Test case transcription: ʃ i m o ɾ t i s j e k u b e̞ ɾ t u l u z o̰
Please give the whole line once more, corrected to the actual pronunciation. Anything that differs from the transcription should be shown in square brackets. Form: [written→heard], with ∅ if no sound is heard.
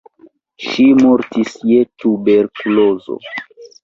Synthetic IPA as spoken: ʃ i m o ɾ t i s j e [k→t] u b e̞ ɾ [t→k] u l [u→o] z o̰

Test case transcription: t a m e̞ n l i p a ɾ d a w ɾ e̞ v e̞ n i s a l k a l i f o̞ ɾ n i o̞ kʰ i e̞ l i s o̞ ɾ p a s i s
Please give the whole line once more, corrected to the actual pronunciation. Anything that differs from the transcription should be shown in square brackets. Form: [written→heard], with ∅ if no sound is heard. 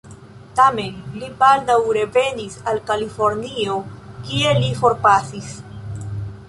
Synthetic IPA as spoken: t a m e̞ n l i p a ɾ d a w ɾ e̞ v e̞ n i s a l k a l i f o̞ ɾ n i o̞ [kʰ→k] i e̞ l i [s→f] o̞ ɾ p a s i s

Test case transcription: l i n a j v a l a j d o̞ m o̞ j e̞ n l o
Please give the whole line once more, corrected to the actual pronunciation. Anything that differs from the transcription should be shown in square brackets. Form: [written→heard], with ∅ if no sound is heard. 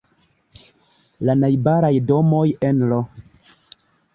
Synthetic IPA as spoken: l [i→a] n a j [v→b] a [l→ɾ] a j d o̞ m o̞ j e̞ n l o

